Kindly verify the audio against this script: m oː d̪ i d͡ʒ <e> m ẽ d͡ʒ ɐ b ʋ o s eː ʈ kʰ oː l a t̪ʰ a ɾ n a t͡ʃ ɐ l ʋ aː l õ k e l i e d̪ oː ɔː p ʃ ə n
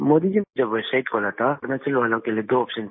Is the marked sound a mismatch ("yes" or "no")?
yes